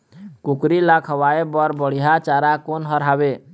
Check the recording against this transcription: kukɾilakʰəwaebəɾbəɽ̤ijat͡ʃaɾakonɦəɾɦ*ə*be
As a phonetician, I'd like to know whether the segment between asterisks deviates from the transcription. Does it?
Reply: yes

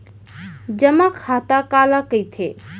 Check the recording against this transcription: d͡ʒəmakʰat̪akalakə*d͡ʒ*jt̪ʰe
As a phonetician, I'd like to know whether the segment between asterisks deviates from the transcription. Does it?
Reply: yes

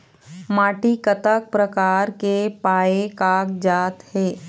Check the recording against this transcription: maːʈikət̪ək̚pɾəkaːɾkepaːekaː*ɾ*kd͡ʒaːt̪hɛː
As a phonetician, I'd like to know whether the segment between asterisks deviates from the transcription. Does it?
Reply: yes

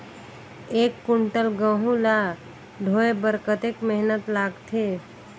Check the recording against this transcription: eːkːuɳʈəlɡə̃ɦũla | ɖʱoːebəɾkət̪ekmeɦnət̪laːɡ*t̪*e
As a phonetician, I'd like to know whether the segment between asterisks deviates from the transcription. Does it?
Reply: yes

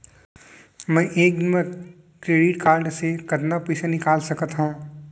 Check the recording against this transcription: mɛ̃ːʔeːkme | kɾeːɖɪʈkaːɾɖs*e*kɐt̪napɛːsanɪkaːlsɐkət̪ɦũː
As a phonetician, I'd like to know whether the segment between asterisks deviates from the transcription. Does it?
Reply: no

